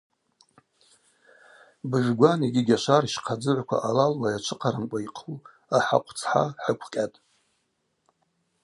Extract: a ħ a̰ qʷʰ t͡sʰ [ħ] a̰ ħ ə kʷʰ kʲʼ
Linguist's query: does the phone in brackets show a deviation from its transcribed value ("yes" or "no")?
no